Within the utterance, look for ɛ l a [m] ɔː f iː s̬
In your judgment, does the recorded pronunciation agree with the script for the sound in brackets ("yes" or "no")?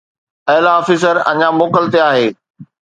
no